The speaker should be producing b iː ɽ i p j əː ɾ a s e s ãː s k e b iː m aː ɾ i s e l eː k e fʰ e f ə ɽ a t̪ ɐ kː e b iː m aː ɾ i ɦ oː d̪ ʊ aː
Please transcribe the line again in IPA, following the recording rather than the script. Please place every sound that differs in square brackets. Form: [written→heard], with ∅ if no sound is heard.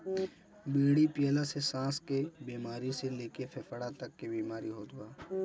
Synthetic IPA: b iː ɽ i p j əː [ɾ→l] a s e s ãː s k e b iː m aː ɾ i s e l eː k e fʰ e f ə ɽ a t̪ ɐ kː e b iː m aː ɾ i ɦ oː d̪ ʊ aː